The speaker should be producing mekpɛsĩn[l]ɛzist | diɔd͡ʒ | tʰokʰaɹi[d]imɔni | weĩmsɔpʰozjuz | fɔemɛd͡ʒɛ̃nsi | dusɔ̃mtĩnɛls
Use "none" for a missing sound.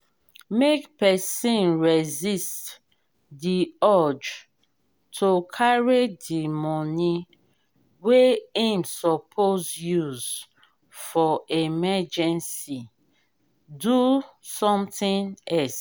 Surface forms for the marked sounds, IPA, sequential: ɹ, d

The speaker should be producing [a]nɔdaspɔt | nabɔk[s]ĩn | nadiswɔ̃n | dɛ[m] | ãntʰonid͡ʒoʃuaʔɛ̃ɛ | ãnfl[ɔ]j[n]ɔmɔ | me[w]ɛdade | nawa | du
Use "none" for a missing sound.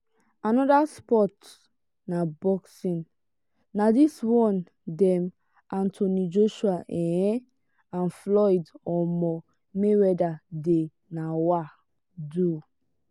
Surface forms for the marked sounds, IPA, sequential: a, s, m, ɔ, d, w

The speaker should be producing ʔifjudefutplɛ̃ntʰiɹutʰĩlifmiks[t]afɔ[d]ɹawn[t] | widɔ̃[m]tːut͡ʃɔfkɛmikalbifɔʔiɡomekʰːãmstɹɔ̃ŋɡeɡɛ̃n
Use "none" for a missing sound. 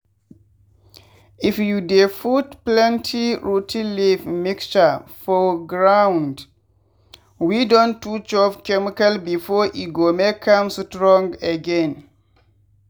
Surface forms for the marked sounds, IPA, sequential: t͡ʃ, ɡ, d, n

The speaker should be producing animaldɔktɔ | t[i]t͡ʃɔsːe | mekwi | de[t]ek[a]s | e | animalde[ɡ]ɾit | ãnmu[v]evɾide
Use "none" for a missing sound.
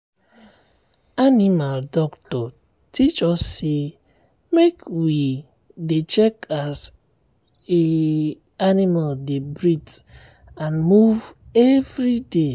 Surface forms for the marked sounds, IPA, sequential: i, t͡ʃ, a, b, v

